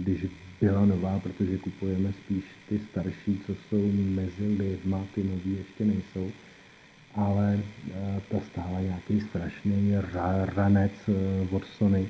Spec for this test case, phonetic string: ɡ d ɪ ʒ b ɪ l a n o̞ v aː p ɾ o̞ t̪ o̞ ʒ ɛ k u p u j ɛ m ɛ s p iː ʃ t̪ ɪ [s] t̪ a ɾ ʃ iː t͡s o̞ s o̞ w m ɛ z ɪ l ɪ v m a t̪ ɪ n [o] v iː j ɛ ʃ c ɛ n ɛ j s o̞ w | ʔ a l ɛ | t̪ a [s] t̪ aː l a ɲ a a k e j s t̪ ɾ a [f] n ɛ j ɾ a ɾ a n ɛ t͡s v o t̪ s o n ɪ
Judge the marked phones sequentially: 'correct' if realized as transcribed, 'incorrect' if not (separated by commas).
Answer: correct, correct, correct, incorrect